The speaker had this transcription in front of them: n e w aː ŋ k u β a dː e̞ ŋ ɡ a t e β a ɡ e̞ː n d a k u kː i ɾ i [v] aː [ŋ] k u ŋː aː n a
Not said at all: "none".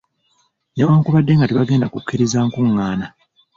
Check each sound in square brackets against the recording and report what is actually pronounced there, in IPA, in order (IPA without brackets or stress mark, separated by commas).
z, ŋ